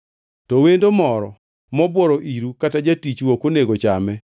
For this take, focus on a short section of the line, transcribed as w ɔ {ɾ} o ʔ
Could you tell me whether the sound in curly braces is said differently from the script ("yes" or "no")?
no